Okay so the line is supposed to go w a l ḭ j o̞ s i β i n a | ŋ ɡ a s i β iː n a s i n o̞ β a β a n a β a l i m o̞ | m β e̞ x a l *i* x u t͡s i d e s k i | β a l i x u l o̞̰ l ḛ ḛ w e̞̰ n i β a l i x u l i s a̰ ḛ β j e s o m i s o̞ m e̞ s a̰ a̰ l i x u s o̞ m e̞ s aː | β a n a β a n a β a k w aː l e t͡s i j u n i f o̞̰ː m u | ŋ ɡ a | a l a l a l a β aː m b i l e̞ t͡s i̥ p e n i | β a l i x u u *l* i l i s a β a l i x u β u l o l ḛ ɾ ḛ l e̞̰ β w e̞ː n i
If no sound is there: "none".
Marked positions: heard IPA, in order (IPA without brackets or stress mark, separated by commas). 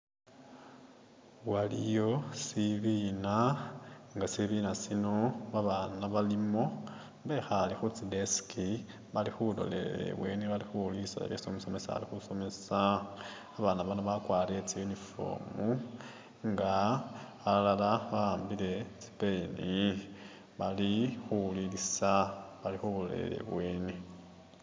i, l